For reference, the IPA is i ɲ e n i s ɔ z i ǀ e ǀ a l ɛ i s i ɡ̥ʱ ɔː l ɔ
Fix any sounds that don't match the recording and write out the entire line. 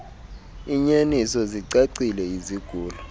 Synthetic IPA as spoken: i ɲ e n i s ɔ z i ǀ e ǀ i l ɛ i z i ɡ̥ʱ uː l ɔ